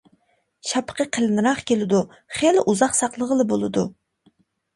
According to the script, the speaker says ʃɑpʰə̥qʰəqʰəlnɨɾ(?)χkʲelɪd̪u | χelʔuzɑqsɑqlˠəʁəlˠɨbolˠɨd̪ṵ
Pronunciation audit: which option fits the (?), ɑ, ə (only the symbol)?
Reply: ɑ